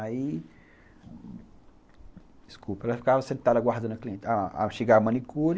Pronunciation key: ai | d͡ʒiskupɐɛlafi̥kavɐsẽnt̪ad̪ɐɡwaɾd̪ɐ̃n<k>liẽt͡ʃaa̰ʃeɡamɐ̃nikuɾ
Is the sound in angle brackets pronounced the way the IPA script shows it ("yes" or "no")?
yes